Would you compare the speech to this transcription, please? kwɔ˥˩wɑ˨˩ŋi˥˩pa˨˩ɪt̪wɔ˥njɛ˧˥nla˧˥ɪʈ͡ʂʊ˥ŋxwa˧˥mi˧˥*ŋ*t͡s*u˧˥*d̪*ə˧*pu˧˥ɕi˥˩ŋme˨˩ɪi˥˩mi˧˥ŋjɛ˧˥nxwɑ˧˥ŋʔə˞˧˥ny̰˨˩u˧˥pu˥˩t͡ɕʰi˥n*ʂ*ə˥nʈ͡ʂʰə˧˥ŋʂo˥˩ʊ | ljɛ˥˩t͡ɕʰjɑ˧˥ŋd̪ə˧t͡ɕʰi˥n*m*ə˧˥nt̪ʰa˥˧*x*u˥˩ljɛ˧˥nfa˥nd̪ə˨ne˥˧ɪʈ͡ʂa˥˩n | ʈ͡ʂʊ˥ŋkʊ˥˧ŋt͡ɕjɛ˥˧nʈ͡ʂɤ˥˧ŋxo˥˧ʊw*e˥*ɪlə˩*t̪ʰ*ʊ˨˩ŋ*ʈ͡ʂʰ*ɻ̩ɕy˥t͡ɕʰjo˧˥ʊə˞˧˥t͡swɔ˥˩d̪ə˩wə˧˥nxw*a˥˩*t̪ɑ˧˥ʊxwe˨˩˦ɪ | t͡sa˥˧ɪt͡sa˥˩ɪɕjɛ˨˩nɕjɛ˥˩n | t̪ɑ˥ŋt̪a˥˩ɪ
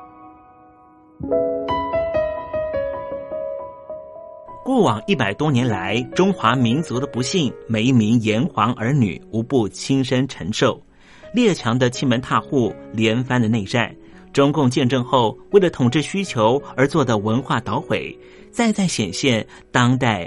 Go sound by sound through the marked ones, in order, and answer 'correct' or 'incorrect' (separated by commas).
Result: incorrect, correct, correct, correct, correct, correct, incorrect, correct, incorrect, correct